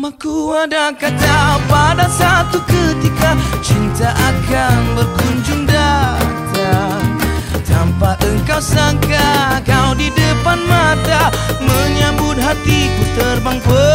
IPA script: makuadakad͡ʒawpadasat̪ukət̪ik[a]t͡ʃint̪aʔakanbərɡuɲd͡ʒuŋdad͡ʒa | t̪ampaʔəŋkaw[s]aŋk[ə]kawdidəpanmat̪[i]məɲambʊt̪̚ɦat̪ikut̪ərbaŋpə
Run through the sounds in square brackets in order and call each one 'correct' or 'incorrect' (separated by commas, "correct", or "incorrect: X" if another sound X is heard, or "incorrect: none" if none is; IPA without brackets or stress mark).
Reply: correct, correct, incorrect: a, incorrect: a